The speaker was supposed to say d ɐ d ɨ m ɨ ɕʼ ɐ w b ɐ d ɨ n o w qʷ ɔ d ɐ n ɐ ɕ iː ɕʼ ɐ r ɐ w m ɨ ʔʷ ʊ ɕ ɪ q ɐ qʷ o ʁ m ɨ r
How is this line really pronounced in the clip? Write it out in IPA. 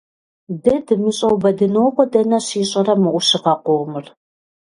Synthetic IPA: d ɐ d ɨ m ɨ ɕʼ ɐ w b ɐ d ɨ n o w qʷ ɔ d ɐ n ɐ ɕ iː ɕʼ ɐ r ɐ m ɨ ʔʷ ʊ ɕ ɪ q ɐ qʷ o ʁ m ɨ r

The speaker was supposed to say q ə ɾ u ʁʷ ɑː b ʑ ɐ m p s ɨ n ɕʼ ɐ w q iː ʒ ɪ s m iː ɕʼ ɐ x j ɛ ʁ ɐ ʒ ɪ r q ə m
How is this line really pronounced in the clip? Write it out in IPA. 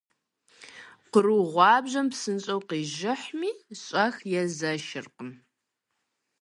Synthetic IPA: q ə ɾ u ʁʷ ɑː b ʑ ɐ m p s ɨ n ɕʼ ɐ w q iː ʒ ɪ ħ m iː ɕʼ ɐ x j ɛ z ɐ ʃ ɪ r q ə m

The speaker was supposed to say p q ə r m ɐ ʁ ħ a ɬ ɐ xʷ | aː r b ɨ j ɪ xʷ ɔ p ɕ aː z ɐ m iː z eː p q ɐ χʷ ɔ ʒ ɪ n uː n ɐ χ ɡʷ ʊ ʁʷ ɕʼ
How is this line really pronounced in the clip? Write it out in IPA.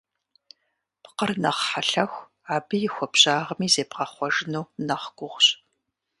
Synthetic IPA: p q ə r n ɐ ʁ ħ a ɬ ɐ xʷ | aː b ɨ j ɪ xʷ ɔ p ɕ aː ʁ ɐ m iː z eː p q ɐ χʷ ɔ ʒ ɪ n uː n ɐ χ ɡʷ ʊ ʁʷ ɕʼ

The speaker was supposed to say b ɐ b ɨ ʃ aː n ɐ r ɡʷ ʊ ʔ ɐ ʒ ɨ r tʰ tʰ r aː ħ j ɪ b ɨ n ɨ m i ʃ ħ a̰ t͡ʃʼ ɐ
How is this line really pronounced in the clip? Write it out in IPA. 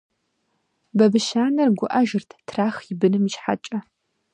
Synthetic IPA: b ɐ b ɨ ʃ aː n ɐ r ɡʷ ʊ ʔ ɐ ʒ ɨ r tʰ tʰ r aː x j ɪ b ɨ n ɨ m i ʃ ħ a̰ t͡ʃʼ ɐ

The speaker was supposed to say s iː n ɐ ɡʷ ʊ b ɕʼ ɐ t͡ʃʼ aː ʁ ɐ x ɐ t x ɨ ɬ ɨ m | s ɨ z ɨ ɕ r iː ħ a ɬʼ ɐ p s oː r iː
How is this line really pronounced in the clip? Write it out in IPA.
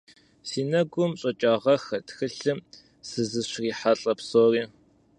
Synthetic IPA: s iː n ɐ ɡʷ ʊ m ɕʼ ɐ t͡ʃʼ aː ʁ ɐ x ɐ t x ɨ ɬ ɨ m | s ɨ z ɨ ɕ r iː ħ a ɬʼ ɐ p s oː r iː

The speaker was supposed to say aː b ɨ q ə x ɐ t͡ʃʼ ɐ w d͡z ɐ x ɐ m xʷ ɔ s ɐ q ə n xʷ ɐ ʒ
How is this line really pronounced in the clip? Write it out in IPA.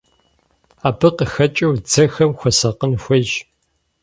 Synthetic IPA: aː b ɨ q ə x ɐ t͡ʃʼ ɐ w d͡z ɐ x ɐ m xʷ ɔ s ɐ q ə n xʷ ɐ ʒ

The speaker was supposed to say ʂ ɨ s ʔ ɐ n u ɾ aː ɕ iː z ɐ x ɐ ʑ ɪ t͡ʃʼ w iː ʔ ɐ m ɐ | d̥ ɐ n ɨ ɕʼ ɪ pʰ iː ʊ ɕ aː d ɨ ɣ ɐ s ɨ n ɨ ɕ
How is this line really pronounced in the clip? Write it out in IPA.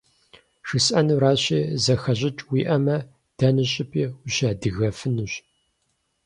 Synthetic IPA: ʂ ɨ s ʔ ɐ n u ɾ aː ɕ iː z ɐ x ɐ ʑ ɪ t͡ʃʼ w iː ʔ ɐ m ɐ | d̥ ɐ n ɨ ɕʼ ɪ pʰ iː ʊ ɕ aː d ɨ ɣ ɐ f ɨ n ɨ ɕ

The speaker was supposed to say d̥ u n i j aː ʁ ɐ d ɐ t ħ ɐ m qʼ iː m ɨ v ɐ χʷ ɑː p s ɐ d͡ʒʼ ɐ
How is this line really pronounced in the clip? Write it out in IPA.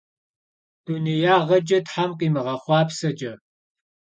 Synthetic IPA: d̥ u n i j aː ʁ ɐ d͡ʒ ɐ t ħ a m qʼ iː m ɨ ʁ ɐ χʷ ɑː p s ɐ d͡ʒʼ ɐ

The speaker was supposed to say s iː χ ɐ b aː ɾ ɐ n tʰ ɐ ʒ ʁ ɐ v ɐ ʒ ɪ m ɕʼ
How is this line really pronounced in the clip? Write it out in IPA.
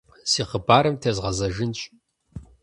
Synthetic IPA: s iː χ ə b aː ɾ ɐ m tʰ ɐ z ʁ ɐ z ɐ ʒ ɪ n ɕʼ

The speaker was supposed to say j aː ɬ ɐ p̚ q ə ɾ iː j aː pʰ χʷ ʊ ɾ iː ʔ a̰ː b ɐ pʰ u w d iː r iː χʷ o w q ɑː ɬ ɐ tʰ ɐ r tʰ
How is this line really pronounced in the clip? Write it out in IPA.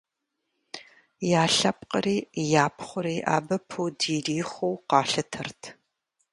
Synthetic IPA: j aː ɬ ɐ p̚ q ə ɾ iː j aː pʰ χʷ ʊ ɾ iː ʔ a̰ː b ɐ pʰ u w d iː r iː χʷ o w q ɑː ɬ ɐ tʰ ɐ r tʰ

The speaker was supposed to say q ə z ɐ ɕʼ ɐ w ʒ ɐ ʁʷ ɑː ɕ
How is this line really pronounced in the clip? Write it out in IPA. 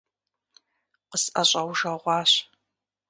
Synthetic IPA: q ə s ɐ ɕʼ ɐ w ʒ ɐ ʁʷ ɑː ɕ

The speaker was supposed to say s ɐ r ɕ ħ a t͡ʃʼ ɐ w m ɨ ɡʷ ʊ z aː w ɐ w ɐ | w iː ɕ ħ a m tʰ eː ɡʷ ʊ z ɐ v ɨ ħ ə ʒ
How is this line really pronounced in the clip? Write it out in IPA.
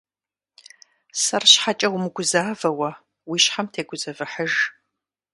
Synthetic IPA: s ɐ r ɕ ħ a t͡ʃʼ ɐ w m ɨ ɡʷ ʊ z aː v ɐ w ɐ | w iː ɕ ħ a m tʰ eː ɡʷ ʊ z ɐ v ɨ ħ ə ʒ

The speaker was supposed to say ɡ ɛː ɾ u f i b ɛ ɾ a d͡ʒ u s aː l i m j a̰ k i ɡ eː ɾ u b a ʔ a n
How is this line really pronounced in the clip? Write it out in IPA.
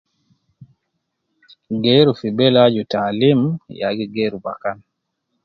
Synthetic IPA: ɡ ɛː ɾ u f i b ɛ l a d͡ʒ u t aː l i m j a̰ ɡ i ɡ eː ɾ u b a k a n

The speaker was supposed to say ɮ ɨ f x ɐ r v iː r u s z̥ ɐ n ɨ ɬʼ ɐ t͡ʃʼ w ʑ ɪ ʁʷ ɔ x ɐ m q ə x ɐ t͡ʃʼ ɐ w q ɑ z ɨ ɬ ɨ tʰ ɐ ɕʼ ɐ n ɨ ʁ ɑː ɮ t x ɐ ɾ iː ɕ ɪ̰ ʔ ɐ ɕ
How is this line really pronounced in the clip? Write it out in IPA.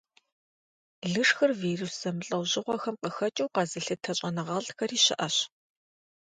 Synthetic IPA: ɮ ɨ ʂ x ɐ r v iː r u s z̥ ɐ m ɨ ɬʼ ɐ w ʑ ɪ ʁʷ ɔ x ɐ m q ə x ɐ t͡ʃʼ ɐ w q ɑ z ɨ ɬ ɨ tʰ ɐ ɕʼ ɐ n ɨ ʁ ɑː ɮ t x ɐ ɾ iː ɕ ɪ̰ ʔ ɐ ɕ

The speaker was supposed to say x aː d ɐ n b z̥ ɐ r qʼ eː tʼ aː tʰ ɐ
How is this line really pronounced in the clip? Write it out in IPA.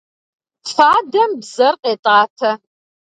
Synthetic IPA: f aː d ɐ m b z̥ ɐ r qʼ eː tʼ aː tʰ ɐ

